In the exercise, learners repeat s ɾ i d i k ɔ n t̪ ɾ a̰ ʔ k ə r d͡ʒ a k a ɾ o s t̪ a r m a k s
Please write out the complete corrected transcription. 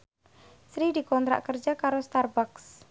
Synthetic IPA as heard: s ɾ i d i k ɔ n t̪ ɾ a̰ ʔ k ə r d͡ʒ a k a ɾ o s t̪ a r b a k s